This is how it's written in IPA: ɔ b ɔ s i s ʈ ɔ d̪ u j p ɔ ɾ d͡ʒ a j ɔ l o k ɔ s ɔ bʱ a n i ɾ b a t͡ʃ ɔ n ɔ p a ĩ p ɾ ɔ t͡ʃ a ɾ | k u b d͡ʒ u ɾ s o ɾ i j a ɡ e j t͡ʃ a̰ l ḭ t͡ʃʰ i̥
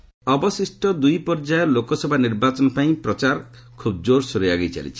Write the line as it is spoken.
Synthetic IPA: ɔ b ɔ s i s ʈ ɔ d̪ u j p ɔ ɾ d͡ʒ a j ɔ l o k ɔ s ɔ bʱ a n i ɾ b a t͡ʃ ɔ n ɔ p a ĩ p ɾ ɔ t͡ʃ a ɾ | kʰ u b d͡ʒ o ɾ s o ɾ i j a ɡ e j t͡ʃ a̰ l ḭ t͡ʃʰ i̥